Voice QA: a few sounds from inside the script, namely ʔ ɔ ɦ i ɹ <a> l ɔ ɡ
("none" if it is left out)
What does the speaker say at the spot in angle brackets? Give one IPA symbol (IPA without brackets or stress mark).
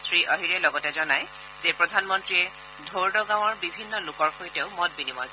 ɛ